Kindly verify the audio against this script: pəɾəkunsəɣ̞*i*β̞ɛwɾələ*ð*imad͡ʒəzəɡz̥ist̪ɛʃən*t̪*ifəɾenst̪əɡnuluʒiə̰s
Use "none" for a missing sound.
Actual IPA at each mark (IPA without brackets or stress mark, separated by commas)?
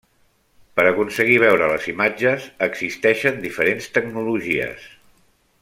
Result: i, z, d̪